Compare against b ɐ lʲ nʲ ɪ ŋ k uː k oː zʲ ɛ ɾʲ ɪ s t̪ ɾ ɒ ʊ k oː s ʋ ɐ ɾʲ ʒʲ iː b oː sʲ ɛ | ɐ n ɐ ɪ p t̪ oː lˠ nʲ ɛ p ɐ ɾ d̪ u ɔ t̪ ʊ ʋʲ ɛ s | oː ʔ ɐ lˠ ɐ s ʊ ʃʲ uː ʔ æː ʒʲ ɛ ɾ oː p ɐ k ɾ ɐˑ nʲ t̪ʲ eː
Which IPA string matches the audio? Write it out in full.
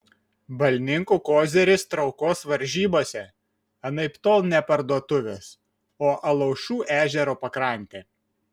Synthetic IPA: b ɐ lʲ nʲ ɪ ŋ k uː k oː zʲ ɛ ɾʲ ɪ s t̪ ɾ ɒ ʊ k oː s ʋ ɐ ɾʲ ʒʲ iː b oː sʲ ɛ | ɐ n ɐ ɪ p t̪ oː lˠ nʲ ɛ p ɐ ɾ d̪ u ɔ t̪ ʊ ʋʲ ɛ s | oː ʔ ɐ lˠ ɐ ʊ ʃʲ uː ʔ æː ʒʲ ɛ ɾ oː p ɐ k ɾ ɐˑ nʲ t̪ʲ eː